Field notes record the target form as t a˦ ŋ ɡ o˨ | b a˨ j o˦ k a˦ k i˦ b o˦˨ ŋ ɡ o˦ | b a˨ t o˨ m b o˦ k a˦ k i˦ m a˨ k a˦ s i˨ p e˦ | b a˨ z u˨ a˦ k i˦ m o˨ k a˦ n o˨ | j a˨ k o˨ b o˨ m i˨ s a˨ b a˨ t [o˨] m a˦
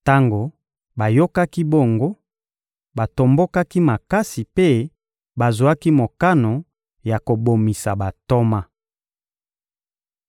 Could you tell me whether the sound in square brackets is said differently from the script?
yes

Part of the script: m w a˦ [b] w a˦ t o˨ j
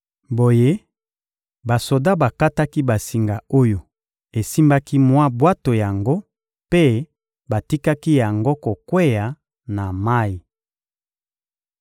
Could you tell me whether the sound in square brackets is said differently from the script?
no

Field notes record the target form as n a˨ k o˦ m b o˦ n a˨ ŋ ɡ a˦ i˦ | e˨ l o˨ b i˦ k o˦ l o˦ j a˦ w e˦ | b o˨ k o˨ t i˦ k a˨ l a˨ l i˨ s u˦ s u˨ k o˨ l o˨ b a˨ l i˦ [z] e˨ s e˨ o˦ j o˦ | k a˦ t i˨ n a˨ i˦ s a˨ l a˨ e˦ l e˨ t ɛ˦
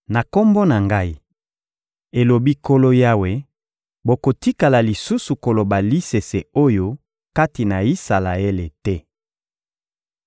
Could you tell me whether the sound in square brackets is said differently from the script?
yes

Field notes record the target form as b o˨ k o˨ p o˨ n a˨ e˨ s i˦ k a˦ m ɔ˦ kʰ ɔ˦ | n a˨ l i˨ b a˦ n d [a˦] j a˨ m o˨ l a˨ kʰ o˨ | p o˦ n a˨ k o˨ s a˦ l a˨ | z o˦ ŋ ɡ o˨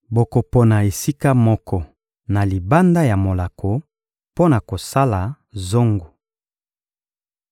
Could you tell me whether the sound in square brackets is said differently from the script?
no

